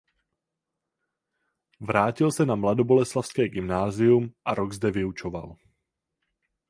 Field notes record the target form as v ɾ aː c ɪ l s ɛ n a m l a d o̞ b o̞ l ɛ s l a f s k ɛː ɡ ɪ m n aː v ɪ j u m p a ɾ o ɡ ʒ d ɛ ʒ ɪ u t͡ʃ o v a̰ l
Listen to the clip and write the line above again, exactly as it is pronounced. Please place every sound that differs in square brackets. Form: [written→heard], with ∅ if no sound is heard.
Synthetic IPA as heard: v ɾ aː c ɪ l s ɛ n a m l a d o̞ b o̞ l ɛ s l a f s k ɛː ɡ ɪ m n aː [v→z] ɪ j u m [p→ʔ] a ɾ o ɡ [ʒ→z] d ɛ [ʒ→v] ɪ u t͡ʃ o v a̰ l